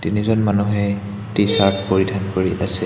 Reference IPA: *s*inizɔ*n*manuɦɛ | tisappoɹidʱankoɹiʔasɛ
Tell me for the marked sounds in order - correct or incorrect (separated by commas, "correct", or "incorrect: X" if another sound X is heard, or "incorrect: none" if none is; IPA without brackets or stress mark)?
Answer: incorrect: t, correct